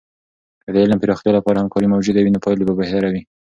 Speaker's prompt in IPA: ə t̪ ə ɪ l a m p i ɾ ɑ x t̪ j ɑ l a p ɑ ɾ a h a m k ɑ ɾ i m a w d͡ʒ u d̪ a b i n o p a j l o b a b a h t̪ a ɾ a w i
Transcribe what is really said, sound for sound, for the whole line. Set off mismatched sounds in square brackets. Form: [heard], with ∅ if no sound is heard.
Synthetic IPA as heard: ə [d̪] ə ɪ l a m p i ɾ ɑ x t̪ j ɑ l a p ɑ ɾ a h a m k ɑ ɾ i m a w d͡ʒ u d̪ a [w] i n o p [ɑ] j l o b a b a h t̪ a ɾ a w i